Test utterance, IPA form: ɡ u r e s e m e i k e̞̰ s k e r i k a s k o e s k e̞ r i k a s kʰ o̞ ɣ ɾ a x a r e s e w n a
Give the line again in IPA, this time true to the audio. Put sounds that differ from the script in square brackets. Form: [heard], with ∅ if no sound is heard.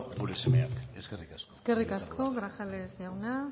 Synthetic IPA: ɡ u [ɾ] e s e m e [a] k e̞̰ s k e r i k a s k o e s k e̞ r i k a s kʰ o̞ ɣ ɾ a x a [l] e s [a] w n a